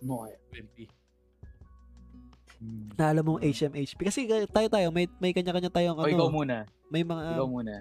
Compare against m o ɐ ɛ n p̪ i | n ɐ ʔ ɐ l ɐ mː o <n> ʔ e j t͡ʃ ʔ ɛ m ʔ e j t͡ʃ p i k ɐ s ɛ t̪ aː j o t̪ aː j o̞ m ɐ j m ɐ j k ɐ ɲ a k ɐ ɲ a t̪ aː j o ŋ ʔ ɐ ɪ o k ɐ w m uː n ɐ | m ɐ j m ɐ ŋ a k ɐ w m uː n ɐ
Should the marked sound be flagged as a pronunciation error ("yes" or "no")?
yes